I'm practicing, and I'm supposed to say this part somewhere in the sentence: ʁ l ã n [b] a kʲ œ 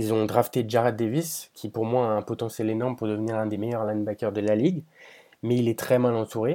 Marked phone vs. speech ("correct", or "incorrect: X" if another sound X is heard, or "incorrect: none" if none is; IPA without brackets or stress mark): correct